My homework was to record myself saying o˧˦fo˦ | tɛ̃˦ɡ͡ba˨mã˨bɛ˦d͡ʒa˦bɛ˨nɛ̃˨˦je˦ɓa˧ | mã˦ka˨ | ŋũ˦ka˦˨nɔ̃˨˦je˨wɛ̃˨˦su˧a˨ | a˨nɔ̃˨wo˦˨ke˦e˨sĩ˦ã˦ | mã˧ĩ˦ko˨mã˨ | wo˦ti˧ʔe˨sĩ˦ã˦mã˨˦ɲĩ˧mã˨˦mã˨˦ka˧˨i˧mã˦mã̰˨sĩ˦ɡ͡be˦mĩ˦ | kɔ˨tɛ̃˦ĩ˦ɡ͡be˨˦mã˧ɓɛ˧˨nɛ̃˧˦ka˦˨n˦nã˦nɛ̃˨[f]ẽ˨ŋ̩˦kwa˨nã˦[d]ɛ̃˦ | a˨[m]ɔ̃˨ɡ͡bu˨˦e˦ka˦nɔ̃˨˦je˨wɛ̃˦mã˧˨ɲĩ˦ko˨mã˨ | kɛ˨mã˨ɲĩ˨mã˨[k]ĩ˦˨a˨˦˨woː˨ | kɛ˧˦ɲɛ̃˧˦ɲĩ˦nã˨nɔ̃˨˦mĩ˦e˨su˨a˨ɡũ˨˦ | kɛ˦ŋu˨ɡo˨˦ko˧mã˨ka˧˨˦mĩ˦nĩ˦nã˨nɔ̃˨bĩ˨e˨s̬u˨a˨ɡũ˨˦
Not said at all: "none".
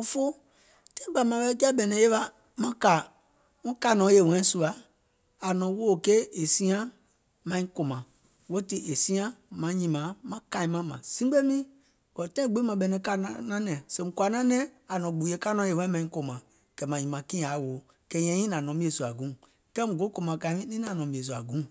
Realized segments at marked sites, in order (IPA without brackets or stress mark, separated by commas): s, n, n, k